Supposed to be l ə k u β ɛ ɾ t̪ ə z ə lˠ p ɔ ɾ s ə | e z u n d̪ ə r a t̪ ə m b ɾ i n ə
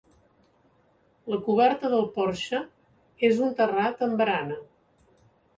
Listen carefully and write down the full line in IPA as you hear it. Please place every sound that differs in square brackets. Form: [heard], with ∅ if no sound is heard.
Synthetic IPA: l ə k u β ɛ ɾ t̪ ə [ð] ə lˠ p ɔ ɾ [ʃ] ə | e z u n [t̪] ə r a t̪ ə m b ɾ [a] n ə